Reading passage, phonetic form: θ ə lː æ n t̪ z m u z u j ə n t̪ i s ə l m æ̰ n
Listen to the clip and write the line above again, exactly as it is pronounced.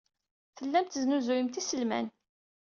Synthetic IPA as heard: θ ə lː æ m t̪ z n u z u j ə m t̪ i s ə l m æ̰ n